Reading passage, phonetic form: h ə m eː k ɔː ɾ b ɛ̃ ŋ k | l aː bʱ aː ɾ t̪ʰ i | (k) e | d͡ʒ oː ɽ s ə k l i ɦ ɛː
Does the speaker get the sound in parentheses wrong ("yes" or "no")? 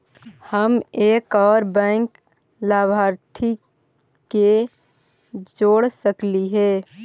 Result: no